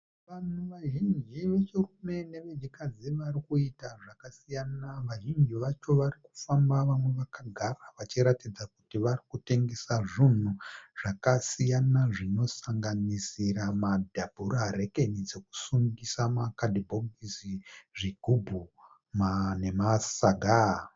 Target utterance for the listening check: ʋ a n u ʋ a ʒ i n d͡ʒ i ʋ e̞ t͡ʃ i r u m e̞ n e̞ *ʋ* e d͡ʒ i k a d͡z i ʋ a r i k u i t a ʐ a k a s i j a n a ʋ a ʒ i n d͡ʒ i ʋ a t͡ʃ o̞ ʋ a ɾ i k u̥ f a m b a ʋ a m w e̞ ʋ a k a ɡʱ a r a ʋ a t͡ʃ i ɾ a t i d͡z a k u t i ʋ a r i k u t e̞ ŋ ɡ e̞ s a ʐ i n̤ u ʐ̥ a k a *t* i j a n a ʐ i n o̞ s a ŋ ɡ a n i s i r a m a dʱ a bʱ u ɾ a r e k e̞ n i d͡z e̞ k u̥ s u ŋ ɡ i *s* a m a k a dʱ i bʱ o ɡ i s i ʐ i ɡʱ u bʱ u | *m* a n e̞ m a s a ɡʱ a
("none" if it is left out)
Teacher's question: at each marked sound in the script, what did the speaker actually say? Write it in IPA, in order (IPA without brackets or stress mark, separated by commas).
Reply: ʋ, s, s, m